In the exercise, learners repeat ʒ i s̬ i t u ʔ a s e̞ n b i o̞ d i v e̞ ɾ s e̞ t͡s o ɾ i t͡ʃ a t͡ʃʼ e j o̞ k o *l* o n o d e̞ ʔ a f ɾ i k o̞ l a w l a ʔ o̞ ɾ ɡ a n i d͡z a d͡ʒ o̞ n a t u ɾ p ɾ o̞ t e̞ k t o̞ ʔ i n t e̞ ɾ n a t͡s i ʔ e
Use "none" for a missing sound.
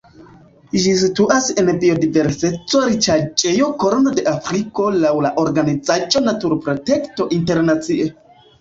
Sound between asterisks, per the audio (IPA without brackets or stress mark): ɾ